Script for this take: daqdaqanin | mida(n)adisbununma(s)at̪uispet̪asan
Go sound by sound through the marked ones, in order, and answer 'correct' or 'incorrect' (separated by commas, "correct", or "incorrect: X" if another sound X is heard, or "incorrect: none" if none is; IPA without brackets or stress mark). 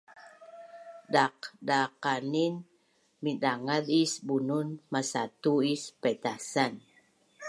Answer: incorrect: ŋ, correct